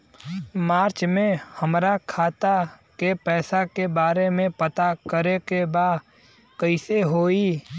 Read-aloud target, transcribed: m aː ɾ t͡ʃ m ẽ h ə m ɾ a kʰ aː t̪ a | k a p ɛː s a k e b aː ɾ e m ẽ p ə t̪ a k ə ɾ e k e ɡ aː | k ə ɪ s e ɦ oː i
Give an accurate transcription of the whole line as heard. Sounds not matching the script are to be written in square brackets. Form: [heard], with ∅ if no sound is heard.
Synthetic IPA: m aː ɾ t͡ʃ m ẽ h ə m ɾ a kʰ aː t̪ a | k [e] p ɛː s a k e b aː ɾ e m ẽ p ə t̪ a k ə ɾ e k e [b] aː | k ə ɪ s e ɦ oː i